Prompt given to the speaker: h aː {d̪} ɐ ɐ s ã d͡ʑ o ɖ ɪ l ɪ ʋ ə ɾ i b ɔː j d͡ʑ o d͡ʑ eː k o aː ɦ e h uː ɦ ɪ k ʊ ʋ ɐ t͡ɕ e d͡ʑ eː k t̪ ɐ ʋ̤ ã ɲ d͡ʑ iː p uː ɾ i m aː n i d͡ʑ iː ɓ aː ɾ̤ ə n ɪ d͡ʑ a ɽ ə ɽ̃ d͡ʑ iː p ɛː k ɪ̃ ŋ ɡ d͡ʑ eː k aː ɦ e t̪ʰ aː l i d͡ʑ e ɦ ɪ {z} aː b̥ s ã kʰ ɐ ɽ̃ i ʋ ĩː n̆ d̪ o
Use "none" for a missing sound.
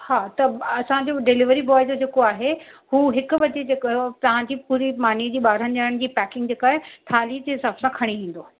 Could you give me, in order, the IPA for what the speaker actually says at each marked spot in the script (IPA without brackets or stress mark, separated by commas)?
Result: t̪, s